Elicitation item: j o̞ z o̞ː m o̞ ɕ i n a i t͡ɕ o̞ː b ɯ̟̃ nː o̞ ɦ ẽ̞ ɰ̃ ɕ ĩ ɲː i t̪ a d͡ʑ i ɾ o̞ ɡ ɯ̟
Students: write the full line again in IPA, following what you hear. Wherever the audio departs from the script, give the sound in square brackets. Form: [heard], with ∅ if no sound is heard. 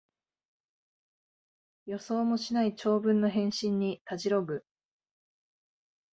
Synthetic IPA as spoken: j o̞ [s] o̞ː m o̞ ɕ i n a i t͡ɕ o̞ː b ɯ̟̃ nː o̞ ɦ ẽ̞ ɰ̃ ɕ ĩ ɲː i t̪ a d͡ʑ i ɾ o̞ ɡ ɯ̟

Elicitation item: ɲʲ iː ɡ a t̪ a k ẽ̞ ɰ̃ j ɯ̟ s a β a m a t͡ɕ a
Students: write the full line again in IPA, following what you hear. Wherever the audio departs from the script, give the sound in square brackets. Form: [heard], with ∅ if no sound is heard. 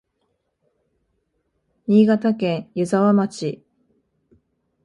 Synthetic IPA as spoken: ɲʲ iː ɡ a t̪ a k ẽ̞ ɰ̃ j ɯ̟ [z] a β a m a t͡ɕ [i]

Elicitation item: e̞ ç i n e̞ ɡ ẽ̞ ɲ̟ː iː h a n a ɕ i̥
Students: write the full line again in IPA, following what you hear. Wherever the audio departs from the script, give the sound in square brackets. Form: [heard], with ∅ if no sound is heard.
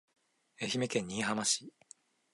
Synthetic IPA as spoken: e̞ ç i [m] e̞ [k] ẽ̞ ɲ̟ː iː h a [m] a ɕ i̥

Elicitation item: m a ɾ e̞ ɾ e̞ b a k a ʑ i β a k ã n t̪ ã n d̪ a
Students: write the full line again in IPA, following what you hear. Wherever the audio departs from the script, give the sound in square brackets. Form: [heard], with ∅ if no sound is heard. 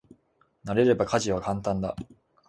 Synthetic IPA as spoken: [n] a ɾ e̞ ɾ e̞ b a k a ʑ i β a k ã n t̪ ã n d̪ a

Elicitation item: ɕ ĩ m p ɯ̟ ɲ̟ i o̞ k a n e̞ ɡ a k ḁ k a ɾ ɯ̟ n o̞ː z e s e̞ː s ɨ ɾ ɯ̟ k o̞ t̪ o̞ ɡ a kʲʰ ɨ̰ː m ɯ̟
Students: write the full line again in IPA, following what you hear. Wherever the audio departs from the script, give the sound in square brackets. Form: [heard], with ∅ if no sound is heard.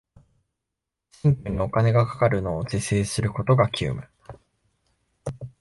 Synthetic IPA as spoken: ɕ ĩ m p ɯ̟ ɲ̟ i o̞ k a n e̞ ɡ a k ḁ k a ɾ ɯ̟ n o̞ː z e s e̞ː s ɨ ɾ ɯ̟ k o̞ t̪ o̞ ɡ a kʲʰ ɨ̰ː m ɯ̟

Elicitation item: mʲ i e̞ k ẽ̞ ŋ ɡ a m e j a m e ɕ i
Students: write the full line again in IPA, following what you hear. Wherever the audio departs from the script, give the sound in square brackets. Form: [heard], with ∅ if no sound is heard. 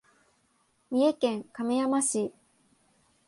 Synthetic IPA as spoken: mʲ i e̞ k ẽ̞ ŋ [k] a m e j a m [a] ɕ i

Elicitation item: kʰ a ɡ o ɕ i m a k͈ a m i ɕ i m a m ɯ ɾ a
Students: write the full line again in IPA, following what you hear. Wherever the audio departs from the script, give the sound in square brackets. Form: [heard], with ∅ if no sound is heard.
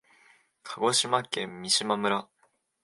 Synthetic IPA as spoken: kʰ a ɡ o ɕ i m a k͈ [e] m i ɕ i m a m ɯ ɾ a

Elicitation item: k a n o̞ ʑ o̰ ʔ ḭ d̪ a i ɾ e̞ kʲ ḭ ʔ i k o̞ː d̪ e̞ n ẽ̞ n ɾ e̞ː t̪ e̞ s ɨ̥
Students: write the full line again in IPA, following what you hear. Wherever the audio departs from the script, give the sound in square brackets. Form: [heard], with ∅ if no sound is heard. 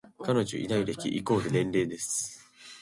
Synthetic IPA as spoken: k a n o̞ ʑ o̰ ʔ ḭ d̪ a i ɾ e̞ kʲ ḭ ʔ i k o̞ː d̪ e̞ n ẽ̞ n ɾ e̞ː [d̪] e̞ s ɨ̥

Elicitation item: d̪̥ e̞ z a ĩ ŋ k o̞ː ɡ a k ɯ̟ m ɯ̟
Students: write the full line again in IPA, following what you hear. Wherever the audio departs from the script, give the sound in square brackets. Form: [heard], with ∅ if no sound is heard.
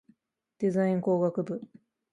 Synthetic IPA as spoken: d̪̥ e̞ z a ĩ ŋ k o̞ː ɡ a k ɯ̟ [b] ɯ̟

